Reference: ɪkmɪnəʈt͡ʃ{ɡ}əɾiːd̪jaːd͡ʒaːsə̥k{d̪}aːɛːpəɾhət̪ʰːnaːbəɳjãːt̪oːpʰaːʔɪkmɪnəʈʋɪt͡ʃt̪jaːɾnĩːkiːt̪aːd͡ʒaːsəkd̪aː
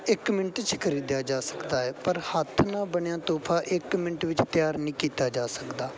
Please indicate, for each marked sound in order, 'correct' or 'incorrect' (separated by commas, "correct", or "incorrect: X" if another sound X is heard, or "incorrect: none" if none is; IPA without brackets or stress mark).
incorrect: k, correct